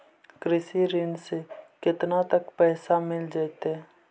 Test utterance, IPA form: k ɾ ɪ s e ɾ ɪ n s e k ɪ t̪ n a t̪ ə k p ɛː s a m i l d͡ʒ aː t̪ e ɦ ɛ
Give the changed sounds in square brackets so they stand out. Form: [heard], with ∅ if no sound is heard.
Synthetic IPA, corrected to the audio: k ɾ ɪ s [i] ɾ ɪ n s e k ɪ t̪ n a t̪ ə k p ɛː s a m [ɪ] l d͡ʒ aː t̪ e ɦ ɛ